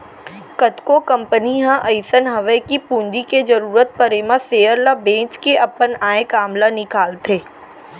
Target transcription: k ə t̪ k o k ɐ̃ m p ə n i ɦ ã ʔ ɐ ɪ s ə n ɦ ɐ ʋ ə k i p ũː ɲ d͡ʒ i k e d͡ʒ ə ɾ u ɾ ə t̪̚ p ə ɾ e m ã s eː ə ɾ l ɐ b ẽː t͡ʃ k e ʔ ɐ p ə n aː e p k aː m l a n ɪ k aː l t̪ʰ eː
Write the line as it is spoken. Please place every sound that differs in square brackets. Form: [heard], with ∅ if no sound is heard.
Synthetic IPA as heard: k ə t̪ k o k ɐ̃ m p ə n i ɦ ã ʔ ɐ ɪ s ə n ɦ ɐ ʋ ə k i p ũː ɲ d͡ʒ i k e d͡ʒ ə ɾ [uː] ɾ ə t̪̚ p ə ɾ e m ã s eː ə ɾ l [a] b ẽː t͡ʃ k e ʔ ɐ p ə n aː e [∅] k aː m l a n ɪ k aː l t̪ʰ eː